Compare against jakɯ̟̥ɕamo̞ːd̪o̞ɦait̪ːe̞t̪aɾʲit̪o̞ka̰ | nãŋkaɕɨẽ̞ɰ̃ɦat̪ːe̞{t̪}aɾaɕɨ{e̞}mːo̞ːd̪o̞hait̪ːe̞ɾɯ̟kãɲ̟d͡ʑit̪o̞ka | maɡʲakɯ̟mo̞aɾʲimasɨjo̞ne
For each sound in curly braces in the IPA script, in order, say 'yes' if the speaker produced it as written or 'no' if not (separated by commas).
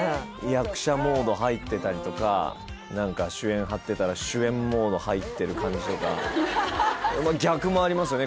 yes, no